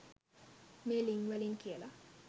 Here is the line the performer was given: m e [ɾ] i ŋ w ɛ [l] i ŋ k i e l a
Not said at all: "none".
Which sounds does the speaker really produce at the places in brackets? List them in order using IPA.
l, l

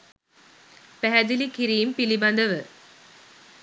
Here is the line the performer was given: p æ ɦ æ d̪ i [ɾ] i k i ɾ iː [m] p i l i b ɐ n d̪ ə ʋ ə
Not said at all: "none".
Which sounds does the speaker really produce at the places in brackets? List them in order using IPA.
l, m

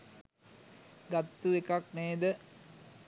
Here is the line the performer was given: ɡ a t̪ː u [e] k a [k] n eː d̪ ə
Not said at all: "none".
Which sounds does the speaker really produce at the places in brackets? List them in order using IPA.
e, k

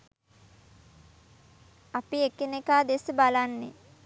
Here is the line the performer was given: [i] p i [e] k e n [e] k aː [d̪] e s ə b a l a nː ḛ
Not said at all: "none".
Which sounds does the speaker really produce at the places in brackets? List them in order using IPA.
a, e, e, d̪

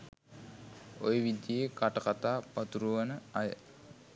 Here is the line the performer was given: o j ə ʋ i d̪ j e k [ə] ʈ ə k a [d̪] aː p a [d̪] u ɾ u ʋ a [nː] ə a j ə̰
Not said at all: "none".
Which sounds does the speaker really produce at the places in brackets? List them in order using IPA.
a, t̪, t̪, n

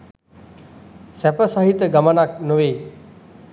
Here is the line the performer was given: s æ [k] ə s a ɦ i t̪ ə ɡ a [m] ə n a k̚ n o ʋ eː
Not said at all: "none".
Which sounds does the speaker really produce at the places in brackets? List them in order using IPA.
p, m

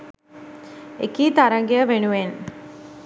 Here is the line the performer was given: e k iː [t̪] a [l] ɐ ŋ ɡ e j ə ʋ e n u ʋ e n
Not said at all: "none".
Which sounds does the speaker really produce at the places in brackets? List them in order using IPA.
t̪, ɾ

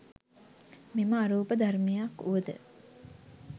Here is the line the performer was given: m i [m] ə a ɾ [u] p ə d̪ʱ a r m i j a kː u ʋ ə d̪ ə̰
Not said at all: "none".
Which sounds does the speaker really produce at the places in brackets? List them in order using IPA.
m, uː

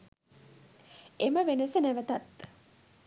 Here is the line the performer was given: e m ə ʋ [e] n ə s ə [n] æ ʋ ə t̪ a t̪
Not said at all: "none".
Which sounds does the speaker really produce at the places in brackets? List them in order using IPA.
e, n

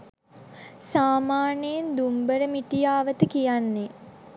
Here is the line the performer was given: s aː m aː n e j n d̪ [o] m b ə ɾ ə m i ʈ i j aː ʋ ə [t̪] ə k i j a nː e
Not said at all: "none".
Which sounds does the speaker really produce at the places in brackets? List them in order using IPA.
u, t̪

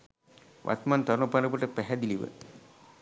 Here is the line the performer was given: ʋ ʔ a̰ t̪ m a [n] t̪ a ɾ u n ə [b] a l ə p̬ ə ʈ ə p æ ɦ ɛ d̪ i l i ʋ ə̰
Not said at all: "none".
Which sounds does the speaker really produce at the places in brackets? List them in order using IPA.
n, p

